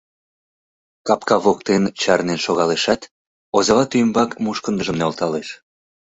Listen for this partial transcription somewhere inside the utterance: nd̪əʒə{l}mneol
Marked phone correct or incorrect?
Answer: incorrect: none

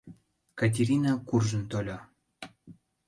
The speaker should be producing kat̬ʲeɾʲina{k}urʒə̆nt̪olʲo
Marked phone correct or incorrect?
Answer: correct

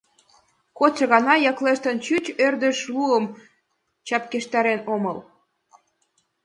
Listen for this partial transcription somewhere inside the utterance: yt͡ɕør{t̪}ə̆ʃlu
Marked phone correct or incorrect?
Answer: incorrect: d̪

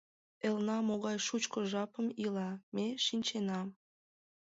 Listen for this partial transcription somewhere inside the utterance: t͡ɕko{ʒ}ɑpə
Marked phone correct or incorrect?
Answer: correct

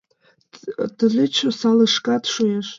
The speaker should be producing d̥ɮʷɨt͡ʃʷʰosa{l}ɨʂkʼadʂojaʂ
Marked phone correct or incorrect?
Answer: correct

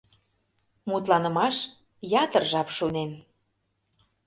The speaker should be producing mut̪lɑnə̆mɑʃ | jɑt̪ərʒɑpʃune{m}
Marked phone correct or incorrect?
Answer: incorrect: n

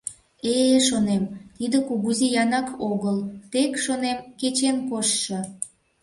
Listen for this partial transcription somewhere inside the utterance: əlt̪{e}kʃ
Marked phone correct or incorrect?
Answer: correct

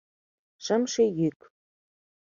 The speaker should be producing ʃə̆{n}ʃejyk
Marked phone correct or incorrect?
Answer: incorrect: m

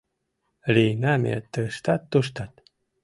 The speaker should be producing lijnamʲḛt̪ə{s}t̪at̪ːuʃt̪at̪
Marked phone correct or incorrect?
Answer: incorrect: ʃ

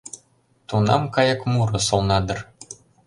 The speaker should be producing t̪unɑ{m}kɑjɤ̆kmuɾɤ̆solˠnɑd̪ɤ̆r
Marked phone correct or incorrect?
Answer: correct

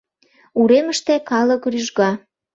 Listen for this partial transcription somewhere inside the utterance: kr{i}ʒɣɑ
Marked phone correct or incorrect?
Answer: incorrect: y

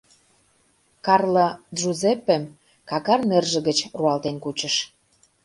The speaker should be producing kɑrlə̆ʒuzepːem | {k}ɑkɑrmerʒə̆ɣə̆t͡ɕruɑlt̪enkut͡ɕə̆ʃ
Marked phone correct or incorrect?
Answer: correct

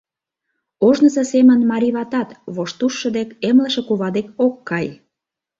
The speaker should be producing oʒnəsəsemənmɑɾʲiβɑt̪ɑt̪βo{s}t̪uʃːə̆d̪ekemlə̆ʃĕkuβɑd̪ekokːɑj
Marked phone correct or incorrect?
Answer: incorrect: ʃ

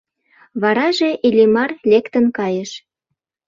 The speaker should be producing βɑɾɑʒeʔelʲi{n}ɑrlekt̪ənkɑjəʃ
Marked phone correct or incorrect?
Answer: incorrect: m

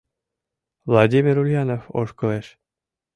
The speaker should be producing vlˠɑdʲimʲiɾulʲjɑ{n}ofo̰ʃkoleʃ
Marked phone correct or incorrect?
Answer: correct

